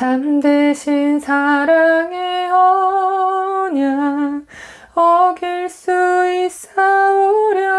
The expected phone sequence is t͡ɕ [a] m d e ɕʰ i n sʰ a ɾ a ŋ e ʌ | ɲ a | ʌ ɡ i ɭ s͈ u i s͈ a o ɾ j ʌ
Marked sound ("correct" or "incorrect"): correct